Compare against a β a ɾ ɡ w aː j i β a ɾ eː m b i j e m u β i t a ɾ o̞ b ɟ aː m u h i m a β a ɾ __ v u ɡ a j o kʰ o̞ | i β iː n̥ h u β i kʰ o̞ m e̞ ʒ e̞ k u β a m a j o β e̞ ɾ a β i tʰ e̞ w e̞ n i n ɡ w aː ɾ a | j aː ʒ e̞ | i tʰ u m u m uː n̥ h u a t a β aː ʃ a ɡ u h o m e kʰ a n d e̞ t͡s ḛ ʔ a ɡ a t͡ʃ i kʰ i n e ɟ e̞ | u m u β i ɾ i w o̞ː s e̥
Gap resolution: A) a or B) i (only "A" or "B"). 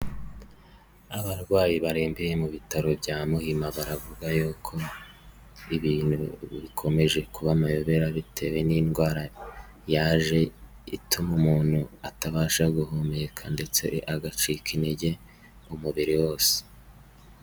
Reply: A